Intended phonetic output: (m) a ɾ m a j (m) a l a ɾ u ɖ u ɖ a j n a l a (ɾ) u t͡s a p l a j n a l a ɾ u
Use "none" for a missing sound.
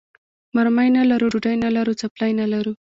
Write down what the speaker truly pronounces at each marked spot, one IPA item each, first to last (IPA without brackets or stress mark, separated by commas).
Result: m, n, ɾ